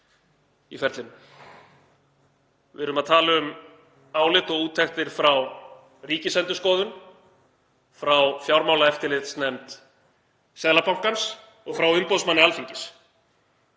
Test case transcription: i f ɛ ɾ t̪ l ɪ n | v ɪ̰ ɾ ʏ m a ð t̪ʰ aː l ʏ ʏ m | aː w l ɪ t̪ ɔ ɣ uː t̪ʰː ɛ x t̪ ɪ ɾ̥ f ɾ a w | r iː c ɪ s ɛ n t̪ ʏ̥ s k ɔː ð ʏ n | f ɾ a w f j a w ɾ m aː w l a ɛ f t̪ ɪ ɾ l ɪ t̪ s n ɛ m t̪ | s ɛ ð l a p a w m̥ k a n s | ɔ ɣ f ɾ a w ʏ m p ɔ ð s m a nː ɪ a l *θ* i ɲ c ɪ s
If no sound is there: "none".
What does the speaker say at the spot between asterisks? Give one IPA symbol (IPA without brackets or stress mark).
f